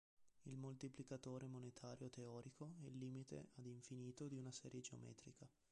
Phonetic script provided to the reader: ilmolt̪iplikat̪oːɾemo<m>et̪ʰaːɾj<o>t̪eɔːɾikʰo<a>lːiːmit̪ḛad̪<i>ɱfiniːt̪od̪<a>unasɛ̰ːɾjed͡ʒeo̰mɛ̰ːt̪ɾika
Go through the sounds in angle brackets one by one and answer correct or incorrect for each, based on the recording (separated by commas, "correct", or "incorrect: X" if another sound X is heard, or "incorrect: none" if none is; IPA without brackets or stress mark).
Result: incorrect: n, correct, incorrect: ɛ, correct, incorrect: i